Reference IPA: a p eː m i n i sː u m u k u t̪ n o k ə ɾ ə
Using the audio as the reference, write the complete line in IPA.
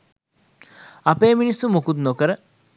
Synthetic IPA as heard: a p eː m i n i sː u m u k u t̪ n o k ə ɾ ə